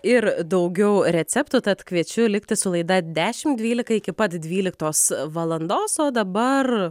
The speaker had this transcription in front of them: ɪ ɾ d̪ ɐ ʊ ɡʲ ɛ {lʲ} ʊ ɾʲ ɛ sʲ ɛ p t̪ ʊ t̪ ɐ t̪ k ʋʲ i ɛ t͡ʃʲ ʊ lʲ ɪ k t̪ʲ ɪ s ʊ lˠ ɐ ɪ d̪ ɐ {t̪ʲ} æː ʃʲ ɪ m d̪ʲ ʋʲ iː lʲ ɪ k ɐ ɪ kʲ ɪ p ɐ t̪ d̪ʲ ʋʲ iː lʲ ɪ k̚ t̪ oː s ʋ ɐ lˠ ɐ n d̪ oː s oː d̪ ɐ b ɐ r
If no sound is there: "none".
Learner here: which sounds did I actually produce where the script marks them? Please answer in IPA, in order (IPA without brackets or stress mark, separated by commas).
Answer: none, d̪ʲ